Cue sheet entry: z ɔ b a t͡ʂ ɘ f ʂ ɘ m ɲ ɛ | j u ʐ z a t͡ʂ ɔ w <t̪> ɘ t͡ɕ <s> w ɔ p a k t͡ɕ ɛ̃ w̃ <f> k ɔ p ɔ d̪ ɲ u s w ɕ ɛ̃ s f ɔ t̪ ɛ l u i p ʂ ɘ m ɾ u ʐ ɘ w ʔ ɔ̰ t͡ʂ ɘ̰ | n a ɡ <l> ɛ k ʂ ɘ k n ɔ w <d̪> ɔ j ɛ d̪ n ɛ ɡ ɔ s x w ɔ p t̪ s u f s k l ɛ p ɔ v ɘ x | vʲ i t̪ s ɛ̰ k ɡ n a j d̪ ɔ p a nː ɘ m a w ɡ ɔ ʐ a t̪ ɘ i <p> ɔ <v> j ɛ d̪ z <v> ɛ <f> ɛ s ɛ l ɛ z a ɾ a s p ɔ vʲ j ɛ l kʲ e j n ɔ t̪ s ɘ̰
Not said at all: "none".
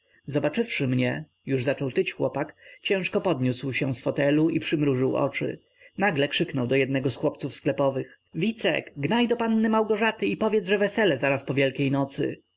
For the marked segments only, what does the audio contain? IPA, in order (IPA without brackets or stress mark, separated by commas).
t̪, x, ʂ, l, d̪, p, v, ʐ, v